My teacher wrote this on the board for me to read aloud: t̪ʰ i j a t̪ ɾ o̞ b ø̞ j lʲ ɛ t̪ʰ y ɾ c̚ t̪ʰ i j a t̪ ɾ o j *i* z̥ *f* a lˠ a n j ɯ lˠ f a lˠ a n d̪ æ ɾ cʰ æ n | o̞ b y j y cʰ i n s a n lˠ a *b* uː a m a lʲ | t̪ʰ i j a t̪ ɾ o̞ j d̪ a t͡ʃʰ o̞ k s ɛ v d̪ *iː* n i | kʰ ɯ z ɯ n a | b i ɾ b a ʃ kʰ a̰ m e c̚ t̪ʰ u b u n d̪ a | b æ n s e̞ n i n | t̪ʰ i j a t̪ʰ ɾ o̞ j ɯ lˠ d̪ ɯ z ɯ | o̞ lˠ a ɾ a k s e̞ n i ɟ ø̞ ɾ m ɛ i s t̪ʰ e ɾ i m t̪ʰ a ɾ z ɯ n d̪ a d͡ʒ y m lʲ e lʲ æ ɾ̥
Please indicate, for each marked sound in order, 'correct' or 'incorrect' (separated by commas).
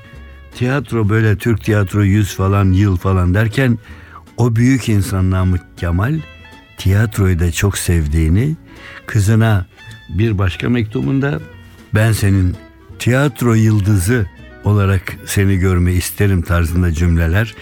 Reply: incorrect, correct, incorrect, correct